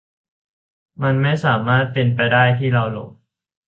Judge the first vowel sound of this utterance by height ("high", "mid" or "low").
low